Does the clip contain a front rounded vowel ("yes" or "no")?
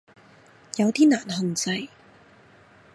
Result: no